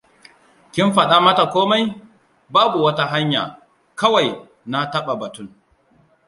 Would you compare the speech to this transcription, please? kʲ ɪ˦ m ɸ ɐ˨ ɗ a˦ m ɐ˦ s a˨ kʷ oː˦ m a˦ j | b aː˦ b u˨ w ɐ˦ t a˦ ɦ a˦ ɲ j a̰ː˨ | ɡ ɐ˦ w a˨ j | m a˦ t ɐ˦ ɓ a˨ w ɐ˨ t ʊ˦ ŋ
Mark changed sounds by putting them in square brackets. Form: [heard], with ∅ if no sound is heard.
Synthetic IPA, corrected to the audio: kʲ ɪ˦ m ɸ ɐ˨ ɗ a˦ m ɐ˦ [t] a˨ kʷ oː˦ m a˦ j | b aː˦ b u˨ w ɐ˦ t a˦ ɦ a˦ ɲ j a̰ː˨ | [k] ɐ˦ w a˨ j | [n] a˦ t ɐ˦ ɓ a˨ [b] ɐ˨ t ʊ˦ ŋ